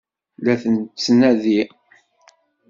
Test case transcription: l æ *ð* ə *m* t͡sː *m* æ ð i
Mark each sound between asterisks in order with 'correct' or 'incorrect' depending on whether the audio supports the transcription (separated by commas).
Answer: incorrect, incorrect, incorrect